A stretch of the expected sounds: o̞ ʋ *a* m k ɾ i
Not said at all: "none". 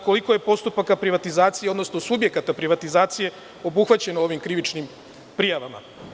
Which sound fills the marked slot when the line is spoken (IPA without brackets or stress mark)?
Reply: i